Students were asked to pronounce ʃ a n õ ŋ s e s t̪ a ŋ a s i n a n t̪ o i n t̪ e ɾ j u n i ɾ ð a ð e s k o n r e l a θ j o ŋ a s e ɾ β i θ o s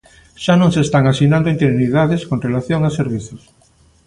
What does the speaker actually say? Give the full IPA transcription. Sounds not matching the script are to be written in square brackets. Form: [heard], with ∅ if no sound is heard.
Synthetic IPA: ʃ a n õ ŋ s e s t̪ a ŋ a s i n a n [d̪] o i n t̪ e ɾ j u n i [∅] ð a ð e s k o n r e l a θ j o ŋ a s e ɾ β i θ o s

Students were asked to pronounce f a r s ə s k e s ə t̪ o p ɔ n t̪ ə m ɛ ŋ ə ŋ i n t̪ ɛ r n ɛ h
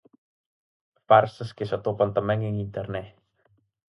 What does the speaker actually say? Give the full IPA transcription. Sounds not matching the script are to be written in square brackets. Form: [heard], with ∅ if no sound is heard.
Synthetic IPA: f a r s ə s k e s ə t̪ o p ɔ n t̪ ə m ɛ ŋ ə ŋ i n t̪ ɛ r n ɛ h

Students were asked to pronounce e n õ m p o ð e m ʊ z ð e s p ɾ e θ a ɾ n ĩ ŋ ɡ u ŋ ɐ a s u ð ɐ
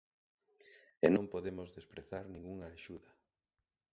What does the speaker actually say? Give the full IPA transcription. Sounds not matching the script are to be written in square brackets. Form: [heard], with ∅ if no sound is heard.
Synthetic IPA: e n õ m p o ð e m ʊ z ð e s p ɾ e θ a ɾ n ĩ ŋ ɡ u ŋ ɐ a [ʃ] u ð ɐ

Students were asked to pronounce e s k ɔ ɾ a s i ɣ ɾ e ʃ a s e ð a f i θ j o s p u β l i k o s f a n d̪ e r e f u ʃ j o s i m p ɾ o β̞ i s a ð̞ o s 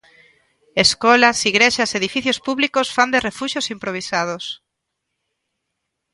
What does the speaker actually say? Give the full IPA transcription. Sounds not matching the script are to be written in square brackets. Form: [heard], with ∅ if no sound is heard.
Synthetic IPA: e s k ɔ [l] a s i ɣ ɾ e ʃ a s e ð [i] f i θ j o s p u β l i k o s f a n d̪ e r e f u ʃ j o s i m p ɾ o β̞ i s a ð̞ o s

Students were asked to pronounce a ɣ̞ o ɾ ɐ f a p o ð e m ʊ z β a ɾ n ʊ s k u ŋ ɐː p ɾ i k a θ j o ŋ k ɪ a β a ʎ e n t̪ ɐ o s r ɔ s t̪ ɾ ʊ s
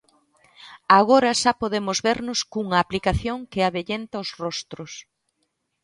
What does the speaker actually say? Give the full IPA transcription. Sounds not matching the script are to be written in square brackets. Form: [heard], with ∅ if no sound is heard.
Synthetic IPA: a ɣ̞ o ɾ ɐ [ʃ] a p o ð e m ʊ z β [e] ɾ n ʊ s k u ŋ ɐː p [l] i k a θ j o ŋ k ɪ a β [e] ʎ e n t̪ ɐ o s r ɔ s t̪ ɾ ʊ s

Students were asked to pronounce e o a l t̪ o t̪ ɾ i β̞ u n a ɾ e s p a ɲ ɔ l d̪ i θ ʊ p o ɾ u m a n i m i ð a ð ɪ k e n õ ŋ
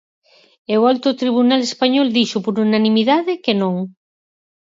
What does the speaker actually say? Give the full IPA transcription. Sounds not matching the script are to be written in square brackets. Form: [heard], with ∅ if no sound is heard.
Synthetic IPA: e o a l t̪ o t̪ ɾ i β̞ u n a [l] e s p a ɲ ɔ l d̪ i [ʃ] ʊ p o ɾ u [n] a n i m i ð a ð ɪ k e n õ ŋ

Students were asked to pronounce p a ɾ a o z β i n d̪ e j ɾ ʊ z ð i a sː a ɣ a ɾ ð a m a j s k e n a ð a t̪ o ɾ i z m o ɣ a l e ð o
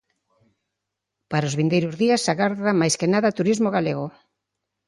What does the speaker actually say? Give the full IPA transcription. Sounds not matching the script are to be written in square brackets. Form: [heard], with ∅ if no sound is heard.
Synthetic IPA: p a ɾ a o z β i n d̪ e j ɾ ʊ z ð i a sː a ɣ a ɾ ð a m a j s k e n a ð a t̪ [u] ɾ i z m o ɣ a l e [ɣ] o

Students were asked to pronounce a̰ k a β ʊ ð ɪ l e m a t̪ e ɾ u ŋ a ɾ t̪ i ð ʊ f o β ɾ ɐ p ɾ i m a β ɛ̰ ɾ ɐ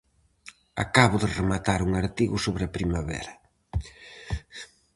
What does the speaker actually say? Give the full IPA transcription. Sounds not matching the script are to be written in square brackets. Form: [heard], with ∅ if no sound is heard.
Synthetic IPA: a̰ k a β ʊ ð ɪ [r] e m a t̪ [a] ɾ u ŋ a ɾ t̪ i [ɣ] ʊ [s] o β ɾ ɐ p ɾ i m a β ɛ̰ ɾ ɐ

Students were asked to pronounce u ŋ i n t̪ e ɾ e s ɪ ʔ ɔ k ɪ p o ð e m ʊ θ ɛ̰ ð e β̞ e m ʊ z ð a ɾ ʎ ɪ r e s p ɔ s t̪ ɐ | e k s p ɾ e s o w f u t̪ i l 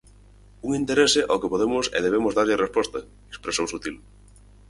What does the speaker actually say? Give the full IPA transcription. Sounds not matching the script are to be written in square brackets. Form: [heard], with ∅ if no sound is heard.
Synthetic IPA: u ŋ i n t̪ e ɾ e s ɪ ʔ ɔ k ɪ p o ð e m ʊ [s] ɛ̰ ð e β̞ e m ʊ z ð a ɾ ʎ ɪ r e s p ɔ s t̪ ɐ | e k s p ɾ e s o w [s] u t̪ i l

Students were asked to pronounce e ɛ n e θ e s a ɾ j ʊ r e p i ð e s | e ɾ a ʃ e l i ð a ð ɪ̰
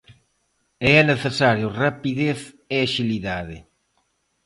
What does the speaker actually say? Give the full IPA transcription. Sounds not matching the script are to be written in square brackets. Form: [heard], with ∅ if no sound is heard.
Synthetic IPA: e ɛ n e θ e s a ɾ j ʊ r [a] p i ð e [θ] | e [∅] a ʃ [i] l i ð a ð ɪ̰

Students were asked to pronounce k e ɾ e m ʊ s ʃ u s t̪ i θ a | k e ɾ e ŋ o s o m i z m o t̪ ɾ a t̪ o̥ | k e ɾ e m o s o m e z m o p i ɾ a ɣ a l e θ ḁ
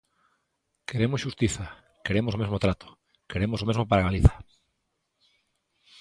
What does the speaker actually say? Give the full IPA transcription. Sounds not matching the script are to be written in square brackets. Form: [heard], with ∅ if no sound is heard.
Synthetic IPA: k e ɾ e m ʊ s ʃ u s t̪ i θ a | k e ɾ e [m] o s o m [e] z m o t̪ ɾ a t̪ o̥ | k e ɾ e m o s o m e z m o p [a] ɾ a ɣ a l [i] θ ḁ

